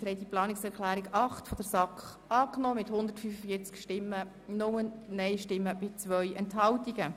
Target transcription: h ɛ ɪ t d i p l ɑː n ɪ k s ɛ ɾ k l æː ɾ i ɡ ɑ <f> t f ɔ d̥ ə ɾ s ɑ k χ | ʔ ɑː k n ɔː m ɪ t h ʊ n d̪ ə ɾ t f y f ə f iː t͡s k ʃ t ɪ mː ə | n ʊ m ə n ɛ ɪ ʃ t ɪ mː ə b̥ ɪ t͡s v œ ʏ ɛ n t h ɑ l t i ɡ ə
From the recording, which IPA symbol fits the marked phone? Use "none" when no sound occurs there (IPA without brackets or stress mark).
χ